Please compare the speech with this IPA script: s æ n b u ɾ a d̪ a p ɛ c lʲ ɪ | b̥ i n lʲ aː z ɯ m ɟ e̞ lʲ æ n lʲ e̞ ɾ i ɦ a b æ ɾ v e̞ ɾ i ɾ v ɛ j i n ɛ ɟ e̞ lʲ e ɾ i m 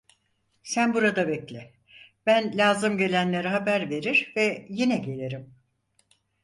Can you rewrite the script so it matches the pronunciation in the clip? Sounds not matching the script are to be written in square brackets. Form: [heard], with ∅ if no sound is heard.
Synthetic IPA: s æ n b u ɾ a d̪ a [b] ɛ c lʲ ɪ | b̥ [æ] n lʲ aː z ɯ m ɟ e̞ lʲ æ n lʲ e̞ ɾ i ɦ a b æ ɾ v e̞ ɾ i ɾ v ɛ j i n ɛ ɟ e̞ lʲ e ɾ i m

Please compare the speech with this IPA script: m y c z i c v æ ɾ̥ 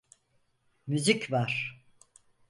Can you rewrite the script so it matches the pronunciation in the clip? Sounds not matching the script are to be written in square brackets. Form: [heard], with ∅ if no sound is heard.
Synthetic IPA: m y [∅] z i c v [a] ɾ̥

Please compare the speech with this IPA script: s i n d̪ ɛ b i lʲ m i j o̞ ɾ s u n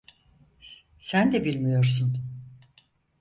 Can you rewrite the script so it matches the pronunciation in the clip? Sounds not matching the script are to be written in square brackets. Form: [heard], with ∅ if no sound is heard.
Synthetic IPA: s [æ] n d̪ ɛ b i lʲ m i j o̞ ɾ s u n

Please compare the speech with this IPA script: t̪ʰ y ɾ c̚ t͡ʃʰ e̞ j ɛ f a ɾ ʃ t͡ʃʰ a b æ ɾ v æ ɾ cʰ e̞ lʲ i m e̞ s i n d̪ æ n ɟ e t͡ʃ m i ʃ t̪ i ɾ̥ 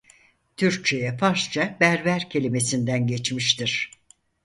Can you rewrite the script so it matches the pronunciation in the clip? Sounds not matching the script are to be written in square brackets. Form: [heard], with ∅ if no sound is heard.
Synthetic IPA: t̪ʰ y ɾ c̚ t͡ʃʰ e̞ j ɛ f a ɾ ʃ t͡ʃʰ a b æ ɾ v æ ɾ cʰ e̞ lʲ i m e̞ s i n d̪ æ n ɟ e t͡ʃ m i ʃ t̪ i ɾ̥

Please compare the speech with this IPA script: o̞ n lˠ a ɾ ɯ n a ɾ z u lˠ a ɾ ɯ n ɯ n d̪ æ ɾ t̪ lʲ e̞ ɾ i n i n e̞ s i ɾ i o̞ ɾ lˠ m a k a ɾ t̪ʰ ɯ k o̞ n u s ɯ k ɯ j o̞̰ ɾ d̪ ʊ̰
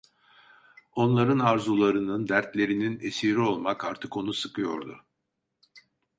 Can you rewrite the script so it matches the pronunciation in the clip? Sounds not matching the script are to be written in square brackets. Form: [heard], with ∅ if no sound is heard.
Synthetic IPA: o̞ n lˠ a ɾ ɯ n a ɾ z u lˠ a ɾ ɯ n ɯ n d̪ æ ɾ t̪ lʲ e̞ ɾ i n i n e̞ s i ɾ i o̞ [∅] lˠ m a k a ɾ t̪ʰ ɯ k o̞ n u s ɯ k ɯ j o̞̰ ɾ d̪ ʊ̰

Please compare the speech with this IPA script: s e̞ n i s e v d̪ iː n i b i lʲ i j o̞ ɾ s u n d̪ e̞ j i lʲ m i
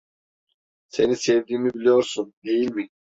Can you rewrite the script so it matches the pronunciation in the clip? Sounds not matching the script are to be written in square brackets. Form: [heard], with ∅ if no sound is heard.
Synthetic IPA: s e̞ n i s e v d̪ iː [m] i b i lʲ i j o̞ ɾ s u n d̪ e̞ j i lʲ m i

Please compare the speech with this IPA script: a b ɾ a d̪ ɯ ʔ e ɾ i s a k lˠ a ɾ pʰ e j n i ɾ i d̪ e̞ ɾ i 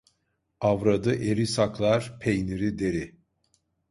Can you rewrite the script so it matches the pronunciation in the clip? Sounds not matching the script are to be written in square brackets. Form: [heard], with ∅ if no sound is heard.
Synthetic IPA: a [v] ɾ a d̪ ɯ ʔ e ɾ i s a k lˠ a ɾ pʰ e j n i ɾ i d̪ e̞ ɾ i

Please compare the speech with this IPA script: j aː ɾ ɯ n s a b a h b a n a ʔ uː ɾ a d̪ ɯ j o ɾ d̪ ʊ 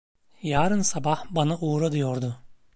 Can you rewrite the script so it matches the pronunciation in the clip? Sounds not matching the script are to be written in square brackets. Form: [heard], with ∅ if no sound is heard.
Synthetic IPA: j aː ɾ ɯ n s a b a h b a n a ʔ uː ɾ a d̪ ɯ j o ɾ d̪ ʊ

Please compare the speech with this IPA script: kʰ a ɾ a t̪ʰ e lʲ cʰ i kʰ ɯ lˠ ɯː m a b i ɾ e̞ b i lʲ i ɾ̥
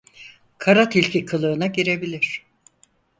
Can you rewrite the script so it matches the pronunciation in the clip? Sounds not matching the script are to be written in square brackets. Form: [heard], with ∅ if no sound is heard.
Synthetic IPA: kʰ a ɾ a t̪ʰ [i] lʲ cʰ i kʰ ɯ lˠ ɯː [n] a [ɟ] i ɾ e̞ b i lʲ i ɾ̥

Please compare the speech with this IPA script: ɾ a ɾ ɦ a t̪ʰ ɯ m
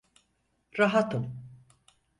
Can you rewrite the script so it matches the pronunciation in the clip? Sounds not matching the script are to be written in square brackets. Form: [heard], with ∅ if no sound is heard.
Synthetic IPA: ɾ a [∅] ɦ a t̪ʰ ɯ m

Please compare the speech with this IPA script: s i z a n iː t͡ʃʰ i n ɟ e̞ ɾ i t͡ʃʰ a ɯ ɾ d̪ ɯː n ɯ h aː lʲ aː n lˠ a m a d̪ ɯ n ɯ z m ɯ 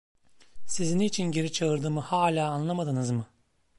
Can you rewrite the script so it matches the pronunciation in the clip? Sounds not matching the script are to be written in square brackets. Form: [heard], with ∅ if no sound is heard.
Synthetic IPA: s i z [i] n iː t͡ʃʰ i n ɟ e̞ ɾ i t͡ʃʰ a ɯ ɾ d̪ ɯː [m] ɯ h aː lʲ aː n lˠ a m a d̪ ɯ n ɯ z m ɯ

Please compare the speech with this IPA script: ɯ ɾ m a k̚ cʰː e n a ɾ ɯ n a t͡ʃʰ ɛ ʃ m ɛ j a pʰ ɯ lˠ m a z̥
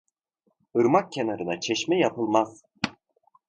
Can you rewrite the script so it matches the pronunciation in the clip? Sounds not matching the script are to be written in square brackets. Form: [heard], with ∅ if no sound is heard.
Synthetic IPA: ɯ ɾ m a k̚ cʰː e n a ɾ ɯ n a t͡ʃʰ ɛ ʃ m ɛ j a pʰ ɯ lˠ m a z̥

